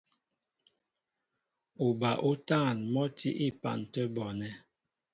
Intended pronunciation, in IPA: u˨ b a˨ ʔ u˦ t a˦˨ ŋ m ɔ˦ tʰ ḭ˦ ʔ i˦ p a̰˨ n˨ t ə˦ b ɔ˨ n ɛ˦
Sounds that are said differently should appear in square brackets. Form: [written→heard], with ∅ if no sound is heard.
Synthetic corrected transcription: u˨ b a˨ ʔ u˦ t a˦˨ [ŋ→n] m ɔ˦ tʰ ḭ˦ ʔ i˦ p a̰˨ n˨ t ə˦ b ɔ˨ n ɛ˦